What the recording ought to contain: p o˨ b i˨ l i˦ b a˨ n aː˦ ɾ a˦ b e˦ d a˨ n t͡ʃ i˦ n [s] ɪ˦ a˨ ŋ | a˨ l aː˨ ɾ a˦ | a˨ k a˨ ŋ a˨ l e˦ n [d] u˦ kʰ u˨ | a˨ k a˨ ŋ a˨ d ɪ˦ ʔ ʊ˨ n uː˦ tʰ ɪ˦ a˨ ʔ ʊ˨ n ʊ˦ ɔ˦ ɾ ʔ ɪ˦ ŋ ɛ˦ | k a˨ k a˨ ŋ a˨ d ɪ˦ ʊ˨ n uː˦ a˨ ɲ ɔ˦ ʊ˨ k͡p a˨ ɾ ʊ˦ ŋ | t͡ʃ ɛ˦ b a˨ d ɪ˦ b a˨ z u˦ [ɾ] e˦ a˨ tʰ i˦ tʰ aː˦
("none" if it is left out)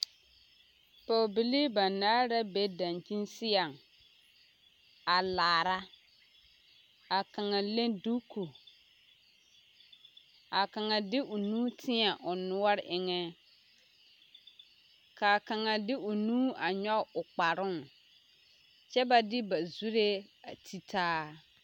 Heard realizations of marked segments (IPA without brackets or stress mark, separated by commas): s, d, ɾ